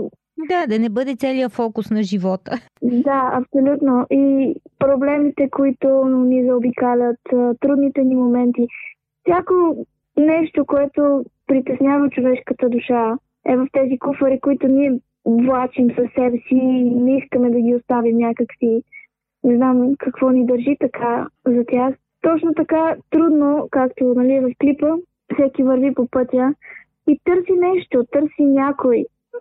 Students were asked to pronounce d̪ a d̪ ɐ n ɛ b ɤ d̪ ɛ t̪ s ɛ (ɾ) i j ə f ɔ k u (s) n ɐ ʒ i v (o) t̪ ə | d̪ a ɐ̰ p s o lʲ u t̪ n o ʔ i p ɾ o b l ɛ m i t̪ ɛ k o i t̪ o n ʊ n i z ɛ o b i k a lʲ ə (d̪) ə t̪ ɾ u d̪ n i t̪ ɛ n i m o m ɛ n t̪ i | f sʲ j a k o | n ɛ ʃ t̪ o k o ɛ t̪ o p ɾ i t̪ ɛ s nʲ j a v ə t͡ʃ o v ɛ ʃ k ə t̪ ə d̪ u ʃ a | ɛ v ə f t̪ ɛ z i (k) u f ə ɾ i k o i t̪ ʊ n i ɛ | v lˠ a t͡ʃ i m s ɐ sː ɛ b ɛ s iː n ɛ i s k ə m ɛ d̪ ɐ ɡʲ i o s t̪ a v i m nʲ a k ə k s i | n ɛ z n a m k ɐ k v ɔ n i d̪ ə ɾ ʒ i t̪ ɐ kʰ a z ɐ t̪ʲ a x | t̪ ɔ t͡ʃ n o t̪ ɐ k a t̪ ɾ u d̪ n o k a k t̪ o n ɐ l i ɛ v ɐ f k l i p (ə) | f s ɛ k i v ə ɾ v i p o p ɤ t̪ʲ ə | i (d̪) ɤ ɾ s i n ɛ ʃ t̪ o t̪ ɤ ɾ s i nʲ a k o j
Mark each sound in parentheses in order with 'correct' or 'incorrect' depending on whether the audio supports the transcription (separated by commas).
incorrect, correct, incorrect, incorrect, correct, correct, incorrect